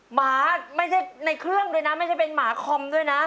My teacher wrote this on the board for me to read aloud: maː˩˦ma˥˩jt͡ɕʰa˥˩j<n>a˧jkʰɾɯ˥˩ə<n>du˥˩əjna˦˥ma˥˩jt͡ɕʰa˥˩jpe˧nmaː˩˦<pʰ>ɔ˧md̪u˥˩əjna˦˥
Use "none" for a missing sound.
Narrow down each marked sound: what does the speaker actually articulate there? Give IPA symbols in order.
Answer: n, ŋ, kʰ

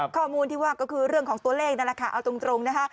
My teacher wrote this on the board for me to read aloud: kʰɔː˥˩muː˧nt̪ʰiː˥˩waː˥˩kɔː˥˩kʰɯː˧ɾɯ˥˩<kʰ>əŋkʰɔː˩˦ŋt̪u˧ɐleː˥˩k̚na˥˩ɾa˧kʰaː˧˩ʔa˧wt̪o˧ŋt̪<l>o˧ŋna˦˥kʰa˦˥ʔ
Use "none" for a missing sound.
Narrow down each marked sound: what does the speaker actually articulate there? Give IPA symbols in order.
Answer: none, ɾ

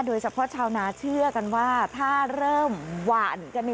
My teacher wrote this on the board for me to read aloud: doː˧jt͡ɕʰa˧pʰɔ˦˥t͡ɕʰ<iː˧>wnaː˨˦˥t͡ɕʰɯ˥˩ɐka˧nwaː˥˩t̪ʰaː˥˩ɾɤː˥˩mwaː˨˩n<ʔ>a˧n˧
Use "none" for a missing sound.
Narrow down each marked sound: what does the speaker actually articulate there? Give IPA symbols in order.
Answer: aː˧, k

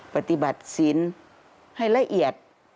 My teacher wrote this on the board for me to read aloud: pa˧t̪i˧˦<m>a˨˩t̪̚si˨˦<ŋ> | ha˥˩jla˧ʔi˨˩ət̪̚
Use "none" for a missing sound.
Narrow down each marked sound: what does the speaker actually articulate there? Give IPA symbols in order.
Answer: b, n

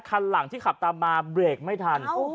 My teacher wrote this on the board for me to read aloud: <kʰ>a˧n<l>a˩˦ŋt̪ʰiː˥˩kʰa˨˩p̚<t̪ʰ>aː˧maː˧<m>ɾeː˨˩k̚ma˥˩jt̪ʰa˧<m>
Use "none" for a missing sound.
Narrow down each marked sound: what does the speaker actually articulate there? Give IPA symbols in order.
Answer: kʰ, l, t̪, b, n

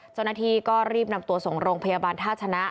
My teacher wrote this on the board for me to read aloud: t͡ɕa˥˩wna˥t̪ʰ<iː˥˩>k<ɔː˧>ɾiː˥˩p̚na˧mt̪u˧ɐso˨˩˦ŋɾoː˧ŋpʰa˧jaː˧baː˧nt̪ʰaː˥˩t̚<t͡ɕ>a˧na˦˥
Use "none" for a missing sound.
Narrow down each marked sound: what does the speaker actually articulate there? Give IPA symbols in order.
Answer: iː˧, ɔː˥˩, t͡ɕʰ

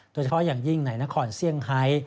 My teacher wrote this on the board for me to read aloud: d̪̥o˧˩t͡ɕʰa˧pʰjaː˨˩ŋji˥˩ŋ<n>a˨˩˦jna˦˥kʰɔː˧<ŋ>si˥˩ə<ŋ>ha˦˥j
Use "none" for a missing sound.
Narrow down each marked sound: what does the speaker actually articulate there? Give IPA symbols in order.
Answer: n, n, ŋ

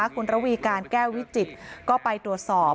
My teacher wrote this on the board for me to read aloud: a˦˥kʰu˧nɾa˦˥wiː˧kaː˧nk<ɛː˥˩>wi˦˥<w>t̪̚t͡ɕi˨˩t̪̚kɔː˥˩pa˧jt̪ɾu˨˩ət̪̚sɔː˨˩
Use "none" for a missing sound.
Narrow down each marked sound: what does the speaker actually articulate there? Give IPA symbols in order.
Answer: ɛː˥˩, none

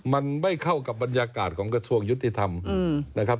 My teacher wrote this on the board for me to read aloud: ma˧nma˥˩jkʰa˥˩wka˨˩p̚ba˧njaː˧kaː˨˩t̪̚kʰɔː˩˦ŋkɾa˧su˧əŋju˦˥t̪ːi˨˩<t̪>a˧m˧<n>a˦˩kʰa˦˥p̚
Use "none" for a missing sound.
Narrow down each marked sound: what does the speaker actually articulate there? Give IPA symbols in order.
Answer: t̪ʰ, n

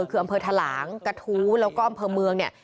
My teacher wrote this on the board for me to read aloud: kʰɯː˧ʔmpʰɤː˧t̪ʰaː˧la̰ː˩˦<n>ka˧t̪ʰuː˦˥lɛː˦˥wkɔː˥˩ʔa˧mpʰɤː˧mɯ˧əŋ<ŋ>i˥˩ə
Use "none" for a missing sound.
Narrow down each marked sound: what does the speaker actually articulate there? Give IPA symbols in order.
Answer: ŋ, n

